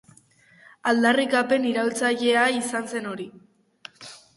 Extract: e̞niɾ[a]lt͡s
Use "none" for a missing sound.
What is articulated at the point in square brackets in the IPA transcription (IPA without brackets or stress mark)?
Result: a